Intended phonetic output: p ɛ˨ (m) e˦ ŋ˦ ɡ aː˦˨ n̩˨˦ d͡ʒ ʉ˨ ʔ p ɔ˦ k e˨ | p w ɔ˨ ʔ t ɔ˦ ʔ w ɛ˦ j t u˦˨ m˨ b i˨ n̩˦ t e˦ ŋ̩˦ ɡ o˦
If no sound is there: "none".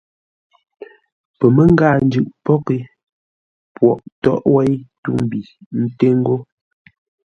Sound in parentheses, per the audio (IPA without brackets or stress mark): m